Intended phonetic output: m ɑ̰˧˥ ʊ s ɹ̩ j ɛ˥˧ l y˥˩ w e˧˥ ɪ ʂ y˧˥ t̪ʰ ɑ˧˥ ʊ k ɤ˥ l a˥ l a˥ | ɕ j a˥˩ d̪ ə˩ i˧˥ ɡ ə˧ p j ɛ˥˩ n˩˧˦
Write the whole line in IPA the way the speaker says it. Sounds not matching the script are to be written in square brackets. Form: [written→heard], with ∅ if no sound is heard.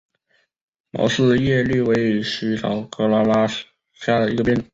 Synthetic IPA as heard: m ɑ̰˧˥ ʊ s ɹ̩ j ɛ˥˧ l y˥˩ w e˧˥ ɪ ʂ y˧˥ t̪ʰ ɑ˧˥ ʊ k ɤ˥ l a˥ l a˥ | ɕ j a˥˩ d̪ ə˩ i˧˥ ɡ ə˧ p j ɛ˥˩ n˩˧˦

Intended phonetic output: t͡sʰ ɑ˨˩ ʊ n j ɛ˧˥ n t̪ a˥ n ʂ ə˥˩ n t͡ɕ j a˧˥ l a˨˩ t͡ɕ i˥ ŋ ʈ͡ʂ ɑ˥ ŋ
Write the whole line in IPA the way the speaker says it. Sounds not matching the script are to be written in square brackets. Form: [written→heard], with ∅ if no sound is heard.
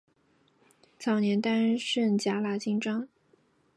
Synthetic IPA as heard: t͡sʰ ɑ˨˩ ʊ n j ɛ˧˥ n t̪ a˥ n ʂ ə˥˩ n t͡ɕ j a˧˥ l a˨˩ t͡ɕ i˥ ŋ ʈ͡ʂ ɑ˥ ŋ

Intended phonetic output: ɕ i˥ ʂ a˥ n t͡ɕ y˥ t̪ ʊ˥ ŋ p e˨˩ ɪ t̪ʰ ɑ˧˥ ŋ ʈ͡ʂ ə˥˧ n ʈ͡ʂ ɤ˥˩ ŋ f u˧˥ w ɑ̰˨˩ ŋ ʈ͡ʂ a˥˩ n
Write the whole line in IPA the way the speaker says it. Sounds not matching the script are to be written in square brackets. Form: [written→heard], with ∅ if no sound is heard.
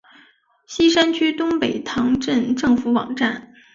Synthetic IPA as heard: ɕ i˥ ʂ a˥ n [t͡ɕ→t͡ɕʰ] y˥ t̪ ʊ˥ ŋ p e˨˩ ɪ t̪ʰ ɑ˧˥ ŋ ʈ͡ʂ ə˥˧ n ʈ͡ʂ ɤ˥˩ ŋ f u˧˥ w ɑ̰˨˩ ŋ ʈ͡ʂ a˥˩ n

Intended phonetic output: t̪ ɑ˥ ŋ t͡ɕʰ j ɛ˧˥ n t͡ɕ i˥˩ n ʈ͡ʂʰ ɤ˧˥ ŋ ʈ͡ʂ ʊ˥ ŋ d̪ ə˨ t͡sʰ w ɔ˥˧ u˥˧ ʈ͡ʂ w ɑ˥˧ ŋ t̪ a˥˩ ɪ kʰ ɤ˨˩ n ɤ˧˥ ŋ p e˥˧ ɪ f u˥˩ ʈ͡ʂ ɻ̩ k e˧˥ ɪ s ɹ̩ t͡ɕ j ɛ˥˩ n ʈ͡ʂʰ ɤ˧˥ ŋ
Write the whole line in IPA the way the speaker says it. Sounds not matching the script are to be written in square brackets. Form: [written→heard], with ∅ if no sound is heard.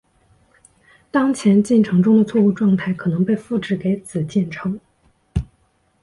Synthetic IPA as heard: t̪ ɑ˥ ŋ t͡ɕʰ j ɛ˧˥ n t͡ɕ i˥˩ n ʈ͡ʂʰ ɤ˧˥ ŋ ʈ͡ʂ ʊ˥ ŋ d̪ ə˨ t͡sʰ w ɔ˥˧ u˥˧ ʈ͡ʂ w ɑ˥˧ ŋ [t̪→t̪ʰ] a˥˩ ɪ kʰ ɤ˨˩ n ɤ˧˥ ŋ p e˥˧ ɪ f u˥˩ ʈ͡ʂ ɻ̩ k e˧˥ ɪ [s→t͡s] ɹ̩ t͡ɕ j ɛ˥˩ n ʈ͡ʂʰ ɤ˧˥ ŋ

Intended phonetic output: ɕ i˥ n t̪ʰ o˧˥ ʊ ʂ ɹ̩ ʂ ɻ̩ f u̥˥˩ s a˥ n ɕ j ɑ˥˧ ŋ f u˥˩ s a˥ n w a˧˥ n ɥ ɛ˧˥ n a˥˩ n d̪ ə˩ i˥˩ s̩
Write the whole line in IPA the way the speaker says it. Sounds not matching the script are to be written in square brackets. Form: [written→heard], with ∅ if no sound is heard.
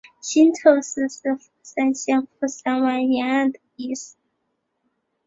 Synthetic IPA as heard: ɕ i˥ n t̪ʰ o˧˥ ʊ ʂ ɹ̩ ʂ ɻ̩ f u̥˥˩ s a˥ n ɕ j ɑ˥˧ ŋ f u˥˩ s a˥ n w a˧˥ n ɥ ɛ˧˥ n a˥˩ n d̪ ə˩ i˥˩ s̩

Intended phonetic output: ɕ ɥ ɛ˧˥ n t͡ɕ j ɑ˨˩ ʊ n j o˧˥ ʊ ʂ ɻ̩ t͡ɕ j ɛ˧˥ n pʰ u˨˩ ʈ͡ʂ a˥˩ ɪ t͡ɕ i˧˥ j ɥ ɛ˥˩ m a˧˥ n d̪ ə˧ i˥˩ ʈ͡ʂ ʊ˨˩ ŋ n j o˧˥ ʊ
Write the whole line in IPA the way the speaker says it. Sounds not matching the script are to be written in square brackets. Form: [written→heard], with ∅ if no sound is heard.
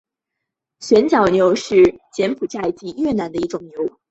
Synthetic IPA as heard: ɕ ɥ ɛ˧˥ n t͡ɕ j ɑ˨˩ ʊ n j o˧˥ ʊ ʂ ɻ̩ t͡ɕ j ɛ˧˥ n pʰ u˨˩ ʈ͡ʂ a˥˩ ɪ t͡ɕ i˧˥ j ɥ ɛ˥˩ [m→n] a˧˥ n d̪ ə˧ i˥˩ ʈ͡ʂ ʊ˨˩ ŋ n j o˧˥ ʊ

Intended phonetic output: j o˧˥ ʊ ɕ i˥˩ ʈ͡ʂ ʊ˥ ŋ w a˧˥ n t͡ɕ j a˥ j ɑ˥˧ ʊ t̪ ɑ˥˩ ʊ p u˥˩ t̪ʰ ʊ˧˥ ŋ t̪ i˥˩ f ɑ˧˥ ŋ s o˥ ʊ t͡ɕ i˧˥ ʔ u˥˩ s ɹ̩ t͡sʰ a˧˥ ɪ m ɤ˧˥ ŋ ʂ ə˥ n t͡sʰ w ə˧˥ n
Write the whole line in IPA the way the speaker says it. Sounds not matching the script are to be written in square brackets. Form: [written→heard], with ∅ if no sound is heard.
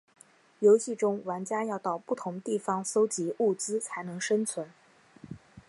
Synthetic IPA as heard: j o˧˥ ʊ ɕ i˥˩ ʈ͡ʂ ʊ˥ ŋ w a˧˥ n t͡ɕ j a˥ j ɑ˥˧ ʊ t̪ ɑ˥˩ ʊ p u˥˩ t̪ʰ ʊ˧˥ ŋ t̪ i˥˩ f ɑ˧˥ ŋ s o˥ ʊ t͡ɕ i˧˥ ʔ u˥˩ [s→t͡s] ɹ̩ t͡sʰ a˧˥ ɪ [m→n] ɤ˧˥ ŋ ʂ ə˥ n t͡sʰ w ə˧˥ n

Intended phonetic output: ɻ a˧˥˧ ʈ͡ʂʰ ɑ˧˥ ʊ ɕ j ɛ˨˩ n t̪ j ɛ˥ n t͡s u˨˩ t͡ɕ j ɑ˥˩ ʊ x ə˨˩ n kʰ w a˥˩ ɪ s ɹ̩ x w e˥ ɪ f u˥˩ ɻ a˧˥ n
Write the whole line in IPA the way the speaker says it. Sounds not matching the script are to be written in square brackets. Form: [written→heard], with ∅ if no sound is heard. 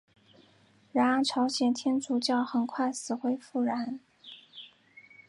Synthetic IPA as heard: ɻ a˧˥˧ ʈ͡ʂʰ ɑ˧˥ ʊ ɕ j ɛ˨˩ n [t̪→t̪ʰ] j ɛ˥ n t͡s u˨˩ t͡ɕ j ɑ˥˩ ʊ x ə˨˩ n kʰ w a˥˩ ɪ s ɹ̩ x w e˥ ɪ f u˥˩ ɻ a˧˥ n

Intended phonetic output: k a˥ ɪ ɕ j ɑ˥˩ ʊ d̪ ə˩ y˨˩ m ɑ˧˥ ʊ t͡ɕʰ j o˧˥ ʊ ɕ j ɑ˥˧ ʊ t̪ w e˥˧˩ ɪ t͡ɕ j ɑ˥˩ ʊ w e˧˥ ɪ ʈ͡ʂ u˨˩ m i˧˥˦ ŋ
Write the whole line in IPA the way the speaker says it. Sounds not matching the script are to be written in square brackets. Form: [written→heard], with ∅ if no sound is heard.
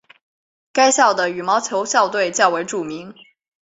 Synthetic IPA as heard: k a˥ ɪ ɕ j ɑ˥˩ ʊ d̪ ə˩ y˨˩ m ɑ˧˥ ʊ t͡ɕʰ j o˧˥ ʊ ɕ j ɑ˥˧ ʊ t̪ w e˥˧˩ ɪ t͡ɕ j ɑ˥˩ ʊ w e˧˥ ɪ ʈ͡ʂ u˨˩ m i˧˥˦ ŋ

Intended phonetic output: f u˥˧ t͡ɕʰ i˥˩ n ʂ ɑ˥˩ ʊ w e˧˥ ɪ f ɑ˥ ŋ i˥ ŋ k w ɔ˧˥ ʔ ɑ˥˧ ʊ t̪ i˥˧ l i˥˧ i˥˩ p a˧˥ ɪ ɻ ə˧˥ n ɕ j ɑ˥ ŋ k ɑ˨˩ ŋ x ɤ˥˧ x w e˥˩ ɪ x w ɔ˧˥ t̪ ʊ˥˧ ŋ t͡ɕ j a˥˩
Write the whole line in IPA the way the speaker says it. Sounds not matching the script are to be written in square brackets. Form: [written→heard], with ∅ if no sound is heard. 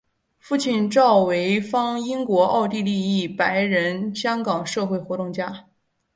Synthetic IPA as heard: f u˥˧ t͡ɕʰ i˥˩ n [ʂ→ʈ͡ʂ] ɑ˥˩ ʊ w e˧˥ ɪ f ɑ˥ ŋ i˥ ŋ k w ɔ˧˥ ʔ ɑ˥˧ ʊ t̪ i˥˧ l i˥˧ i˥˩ p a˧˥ ɪ ɻ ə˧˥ n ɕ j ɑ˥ ŋ k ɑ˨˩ ŋ [x→ʂ] ɤ˥˧ x w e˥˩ ɪ x w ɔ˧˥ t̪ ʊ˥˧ ŋ t͡ɕ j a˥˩

